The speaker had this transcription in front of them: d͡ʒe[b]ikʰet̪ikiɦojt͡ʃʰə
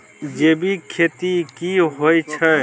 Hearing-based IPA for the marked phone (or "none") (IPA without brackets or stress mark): b